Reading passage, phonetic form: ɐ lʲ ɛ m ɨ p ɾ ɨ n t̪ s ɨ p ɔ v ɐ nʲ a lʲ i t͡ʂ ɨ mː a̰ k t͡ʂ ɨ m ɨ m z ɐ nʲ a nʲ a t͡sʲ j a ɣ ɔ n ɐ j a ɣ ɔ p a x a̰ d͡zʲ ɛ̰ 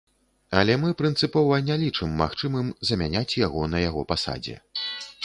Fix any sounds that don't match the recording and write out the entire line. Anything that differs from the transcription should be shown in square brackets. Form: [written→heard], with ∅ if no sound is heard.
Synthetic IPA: ɐ lʲ ɛ m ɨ p ɾ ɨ n t̪ s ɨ p ɔ v ɐ nʲ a lʲ i t͡ʂ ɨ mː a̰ [k→x] t͡ʂ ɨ m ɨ m z ɐ [nʲ→mʲ] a nʲ a t͡sʲ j a ɣ ɔ n ɐ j a ɣ ɔ p a [x→s] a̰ d͡zʲ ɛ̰